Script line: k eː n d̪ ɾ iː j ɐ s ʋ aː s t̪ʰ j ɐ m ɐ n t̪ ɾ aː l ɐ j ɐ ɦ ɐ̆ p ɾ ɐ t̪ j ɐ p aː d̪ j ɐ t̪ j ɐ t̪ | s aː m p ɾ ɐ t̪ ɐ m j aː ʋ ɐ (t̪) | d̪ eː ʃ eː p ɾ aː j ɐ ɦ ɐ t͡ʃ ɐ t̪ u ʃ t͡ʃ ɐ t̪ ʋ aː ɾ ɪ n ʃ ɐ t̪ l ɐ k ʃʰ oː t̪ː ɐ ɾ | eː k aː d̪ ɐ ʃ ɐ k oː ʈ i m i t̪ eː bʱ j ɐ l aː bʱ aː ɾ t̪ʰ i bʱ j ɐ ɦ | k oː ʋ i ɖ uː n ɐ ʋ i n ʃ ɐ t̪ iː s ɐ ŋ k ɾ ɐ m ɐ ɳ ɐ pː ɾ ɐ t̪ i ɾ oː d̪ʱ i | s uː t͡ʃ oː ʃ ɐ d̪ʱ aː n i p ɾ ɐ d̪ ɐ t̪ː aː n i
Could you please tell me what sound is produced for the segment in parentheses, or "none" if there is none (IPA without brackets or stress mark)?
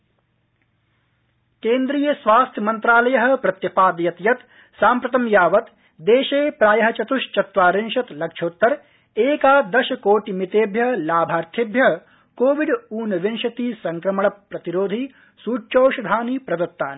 t̪